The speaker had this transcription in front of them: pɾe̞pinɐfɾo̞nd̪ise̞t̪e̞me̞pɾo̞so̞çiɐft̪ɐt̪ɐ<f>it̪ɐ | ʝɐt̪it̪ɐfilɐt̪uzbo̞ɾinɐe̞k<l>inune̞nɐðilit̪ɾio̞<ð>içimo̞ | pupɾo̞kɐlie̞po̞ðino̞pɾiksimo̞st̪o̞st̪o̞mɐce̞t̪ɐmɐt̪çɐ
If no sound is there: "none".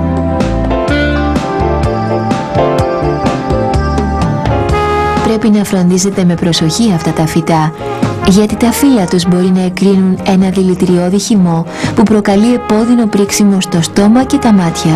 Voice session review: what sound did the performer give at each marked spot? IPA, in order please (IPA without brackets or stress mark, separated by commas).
f, ɾ, ð